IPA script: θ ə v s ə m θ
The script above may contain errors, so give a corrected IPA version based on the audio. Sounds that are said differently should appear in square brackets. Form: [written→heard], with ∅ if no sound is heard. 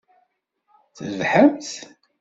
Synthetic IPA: θ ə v [s→ħ] ə m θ